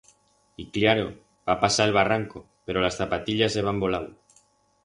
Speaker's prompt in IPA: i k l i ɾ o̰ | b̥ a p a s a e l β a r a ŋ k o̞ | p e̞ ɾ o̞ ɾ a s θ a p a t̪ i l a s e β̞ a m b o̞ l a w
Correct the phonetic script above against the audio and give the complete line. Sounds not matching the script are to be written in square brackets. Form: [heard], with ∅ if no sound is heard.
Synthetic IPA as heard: i k l [a] ɾ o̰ | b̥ a p a s a e l β a r a ŋ k o̞ | p e̞ ɾ o̞ [l] a s θ a p a t̪ i [ʎ] a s e β̞ a m b o̞ l a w